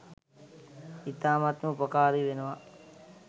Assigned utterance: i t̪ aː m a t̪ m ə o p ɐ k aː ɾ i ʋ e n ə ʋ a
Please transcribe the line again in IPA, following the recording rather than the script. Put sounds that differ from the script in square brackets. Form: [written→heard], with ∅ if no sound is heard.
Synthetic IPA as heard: i t̪ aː m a t̪ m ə [o→u] p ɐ k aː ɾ i ʋ e n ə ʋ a